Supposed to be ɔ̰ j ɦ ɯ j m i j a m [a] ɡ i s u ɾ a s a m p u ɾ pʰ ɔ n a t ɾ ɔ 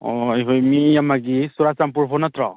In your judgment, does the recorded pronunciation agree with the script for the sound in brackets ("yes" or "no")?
yes